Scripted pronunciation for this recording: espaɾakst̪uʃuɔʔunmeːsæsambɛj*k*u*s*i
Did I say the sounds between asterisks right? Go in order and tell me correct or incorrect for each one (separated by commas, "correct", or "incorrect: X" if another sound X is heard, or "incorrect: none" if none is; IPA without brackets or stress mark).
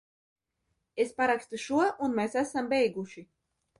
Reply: incorrect: ɡ, incorrect: ʃ